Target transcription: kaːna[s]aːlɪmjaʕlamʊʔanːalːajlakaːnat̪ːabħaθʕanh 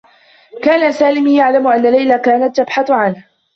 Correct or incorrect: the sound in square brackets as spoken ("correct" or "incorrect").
correct